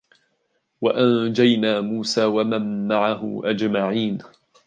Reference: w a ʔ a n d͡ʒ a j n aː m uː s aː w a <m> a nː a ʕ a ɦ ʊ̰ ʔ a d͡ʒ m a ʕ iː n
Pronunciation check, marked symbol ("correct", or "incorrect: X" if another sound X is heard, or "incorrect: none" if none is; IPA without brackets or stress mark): correct